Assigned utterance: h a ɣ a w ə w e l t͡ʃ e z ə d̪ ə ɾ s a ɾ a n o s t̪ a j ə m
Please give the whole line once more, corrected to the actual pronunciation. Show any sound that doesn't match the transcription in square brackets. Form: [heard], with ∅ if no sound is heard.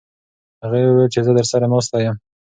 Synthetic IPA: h a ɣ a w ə w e l t͡ʃ e z ə d̪ ə ɾ s a ɾ a [m] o s t̪ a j ə m